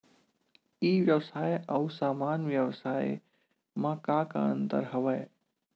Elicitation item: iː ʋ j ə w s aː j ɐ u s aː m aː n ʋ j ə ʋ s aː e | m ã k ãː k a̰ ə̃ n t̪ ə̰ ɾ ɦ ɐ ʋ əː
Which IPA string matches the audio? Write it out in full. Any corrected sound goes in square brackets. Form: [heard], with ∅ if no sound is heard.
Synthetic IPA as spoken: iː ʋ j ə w s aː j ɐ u s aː m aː n ʋ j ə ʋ s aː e | m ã k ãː k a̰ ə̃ n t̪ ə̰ ɾ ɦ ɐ ʋ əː

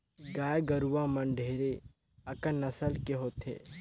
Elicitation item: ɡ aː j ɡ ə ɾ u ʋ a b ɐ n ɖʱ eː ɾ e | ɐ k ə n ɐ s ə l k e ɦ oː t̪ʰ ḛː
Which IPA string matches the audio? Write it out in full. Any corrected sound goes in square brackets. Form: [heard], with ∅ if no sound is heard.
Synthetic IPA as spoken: ɡ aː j ɡ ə ɾ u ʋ a [m] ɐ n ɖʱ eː ɾ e | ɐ k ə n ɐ s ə l k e ɦ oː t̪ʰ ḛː

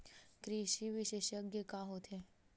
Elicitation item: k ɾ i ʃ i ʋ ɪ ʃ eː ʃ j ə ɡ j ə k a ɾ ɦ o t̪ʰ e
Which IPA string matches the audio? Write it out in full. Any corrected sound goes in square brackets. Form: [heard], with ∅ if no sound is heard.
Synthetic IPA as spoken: k ɾ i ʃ i ʋ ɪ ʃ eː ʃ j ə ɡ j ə k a [∅] ɦ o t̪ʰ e

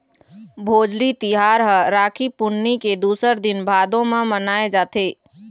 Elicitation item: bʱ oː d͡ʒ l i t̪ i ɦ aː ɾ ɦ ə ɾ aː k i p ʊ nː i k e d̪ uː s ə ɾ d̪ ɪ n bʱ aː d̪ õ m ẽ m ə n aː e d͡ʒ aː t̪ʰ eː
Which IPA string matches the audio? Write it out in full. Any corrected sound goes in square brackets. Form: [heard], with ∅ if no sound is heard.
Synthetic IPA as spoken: bʱ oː d͡ʒ l i t̪ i ɦ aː ɾ ɦ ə ɾ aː [kʰ] i p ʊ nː i k e d̪ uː s ə ɾ d̪ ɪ n bʱ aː d̪ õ m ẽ m ə n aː e d͡ʒ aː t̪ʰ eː

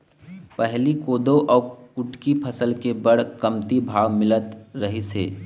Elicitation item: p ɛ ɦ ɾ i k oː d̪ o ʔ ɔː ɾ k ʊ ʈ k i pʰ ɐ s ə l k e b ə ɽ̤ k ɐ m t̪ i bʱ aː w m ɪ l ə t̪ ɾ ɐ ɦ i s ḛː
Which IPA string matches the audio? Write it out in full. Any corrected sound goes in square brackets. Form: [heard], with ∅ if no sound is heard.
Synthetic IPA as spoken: p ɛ ɦ [l] i k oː d̪ o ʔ ɔː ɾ k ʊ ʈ k i pʰ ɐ s ə l k e b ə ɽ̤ k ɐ m t̪ i bʱ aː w m ɪ l ə t̪ ɾ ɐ ɦ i s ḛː

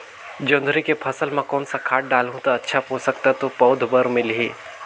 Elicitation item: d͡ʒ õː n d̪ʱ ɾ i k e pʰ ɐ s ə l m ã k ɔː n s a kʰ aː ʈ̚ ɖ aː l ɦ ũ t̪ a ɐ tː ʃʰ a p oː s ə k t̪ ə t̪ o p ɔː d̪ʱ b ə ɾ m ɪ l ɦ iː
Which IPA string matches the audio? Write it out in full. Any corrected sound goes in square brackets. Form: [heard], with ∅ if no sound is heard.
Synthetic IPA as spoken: d͡ʒ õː n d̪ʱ ɾ i k e pʰ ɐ s ə l m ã k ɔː n s a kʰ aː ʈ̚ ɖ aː l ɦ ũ t̪ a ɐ tː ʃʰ a p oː s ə k t̪ [a] t̪ o p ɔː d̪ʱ b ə ɾ m ɪ l ɦ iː

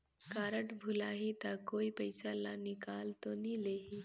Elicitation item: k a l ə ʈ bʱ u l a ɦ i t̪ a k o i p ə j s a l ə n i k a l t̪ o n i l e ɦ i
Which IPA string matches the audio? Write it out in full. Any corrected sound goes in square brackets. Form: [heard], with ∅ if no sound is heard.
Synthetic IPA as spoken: k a [ɾ] ə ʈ bʱ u l a ɦ i t̪ a k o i p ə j s a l [a] n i k a l t̪ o n i l e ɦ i

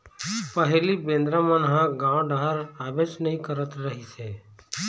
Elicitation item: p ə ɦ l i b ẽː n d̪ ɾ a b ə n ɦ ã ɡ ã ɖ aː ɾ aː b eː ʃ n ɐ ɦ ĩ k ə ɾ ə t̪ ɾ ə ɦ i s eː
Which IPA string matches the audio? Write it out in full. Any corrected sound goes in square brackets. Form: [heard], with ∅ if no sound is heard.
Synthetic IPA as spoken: p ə ɦ l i b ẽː n d̪ ɾ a [m] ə n ɦ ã ɡ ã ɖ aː ɾ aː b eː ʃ n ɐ ɦ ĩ k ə ɾ ə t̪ ɾ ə ɦ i s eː

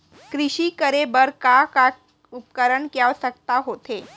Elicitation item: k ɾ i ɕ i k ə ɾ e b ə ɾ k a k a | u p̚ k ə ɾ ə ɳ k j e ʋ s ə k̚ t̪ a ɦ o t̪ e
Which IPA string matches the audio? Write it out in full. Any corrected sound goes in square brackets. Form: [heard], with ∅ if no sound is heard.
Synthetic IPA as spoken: k ɾ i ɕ i k ə ɾ e b ə ɾ k a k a | u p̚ k ə ɾ ə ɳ k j [a] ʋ s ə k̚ t̪ a ɦ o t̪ e

